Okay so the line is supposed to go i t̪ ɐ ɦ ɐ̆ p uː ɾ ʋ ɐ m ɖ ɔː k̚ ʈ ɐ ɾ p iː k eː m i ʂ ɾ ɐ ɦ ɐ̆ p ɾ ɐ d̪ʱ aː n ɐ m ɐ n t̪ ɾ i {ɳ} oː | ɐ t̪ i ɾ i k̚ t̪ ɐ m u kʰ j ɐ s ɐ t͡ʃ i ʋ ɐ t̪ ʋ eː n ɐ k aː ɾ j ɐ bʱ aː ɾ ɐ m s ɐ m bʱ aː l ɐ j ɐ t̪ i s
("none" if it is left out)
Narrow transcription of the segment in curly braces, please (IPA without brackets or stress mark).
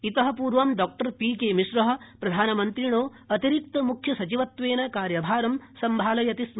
ɳ